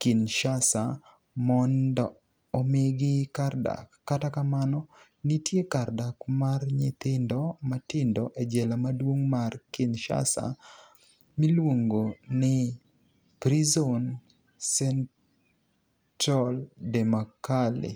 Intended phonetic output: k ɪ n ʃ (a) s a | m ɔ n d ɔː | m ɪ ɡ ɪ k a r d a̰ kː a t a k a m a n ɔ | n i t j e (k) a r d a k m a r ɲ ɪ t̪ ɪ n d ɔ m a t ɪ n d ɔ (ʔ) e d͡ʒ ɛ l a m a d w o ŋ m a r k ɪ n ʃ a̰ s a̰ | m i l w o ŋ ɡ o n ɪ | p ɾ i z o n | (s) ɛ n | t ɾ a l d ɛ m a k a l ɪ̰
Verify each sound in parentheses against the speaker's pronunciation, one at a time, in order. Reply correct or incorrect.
correct, correct, correct, correct

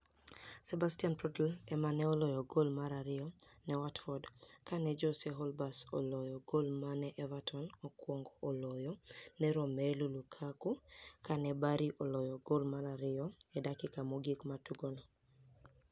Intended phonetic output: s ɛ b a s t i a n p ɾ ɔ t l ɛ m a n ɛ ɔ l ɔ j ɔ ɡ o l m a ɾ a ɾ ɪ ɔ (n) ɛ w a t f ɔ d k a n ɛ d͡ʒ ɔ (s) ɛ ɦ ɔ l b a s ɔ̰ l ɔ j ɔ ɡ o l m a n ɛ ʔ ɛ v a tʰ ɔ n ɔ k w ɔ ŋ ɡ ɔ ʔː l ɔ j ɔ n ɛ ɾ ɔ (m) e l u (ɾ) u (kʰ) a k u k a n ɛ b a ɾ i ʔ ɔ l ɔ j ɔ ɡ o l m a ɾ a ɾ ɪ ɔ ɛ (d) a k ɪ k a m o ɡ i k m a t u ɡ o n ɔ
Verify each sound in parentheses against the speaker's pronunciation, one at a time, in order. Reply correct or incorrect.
correct, correct, correct, incorrect, correct, correct

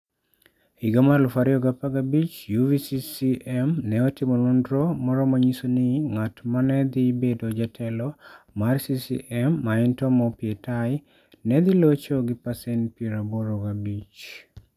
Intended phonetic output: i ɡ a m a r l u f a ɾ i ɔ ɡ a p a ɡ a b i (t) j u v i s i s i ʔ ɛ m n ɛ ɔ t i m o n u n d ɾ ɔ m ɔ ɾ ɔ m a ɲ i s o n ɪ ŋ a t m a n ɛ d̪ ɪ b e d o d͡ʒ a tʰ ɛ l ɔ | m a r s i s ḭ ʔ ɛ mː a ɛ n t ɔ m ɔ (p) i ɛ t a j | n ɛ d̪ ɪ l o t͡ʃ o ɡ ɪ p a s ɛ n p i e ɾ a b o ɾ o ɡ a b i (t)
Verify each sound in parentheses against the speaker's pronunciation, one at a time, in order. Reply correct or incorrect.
incorrect, correct, incorrect

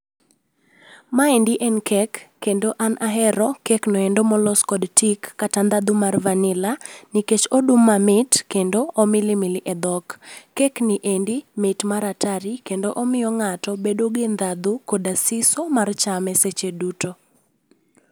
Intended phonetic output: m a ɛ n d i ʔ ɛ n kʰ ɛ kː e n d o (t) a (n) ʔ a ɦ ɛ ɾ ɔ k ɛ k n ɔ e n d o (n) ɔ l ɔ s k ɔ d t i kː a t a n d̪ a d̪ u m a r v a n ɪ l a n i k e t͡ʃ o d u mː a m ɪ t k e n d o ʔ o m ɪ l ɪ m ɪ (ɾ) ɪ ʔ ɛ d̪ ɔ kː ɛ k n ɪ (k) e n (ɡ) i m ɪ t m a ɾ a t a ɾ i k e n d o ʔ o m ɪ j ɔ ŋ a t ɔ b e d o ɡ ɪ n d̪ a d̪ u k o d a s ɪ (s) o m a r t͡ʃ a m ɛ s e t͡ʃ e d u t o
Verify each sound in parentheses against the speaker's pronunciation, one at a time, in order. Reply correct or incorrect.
incorrect, correct, incorrect, incorrect, incorrect, incorrect, correct

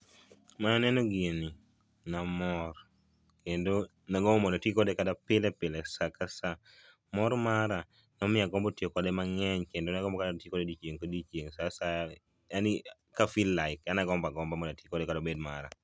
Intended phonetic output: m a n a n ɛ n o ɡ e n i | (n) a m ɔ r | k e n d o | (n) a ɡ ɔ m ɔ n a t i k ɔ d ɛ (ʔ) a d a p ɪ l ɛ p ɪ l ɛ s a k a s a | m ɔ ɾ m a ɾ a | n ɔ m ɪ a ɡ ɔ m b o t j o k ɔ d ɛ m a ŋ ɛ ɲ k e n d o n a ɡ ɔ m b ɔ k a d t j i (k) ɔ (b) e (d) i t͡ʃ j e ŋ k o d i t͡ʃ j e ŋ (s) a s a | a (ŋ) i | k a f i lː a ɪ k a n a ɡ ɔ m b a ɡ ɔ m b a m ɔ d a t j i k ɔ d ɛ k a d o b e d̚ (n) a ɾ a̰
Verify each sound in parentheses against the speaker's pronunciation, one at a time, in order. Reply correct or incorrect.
correct, correct, incorrect, correct, incorrect, correct, correct, incorrect, incorrect

